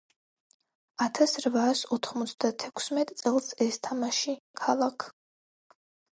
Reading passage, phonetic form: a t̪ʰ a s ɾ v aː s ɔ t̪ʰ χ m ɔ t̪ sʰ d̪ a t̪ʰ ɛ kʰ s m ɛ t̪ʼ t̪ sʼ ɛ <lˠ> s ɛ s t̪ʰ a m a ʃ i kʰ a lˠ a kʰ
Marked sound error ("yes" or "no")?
no